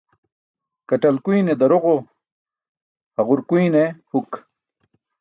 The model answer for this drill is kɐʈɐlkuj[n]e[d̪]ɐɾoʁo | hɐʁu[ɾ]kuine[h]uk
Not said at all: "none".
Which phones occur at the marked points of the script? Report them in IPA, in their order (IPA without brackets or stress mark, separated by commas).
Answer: n, d̪, ɾ, h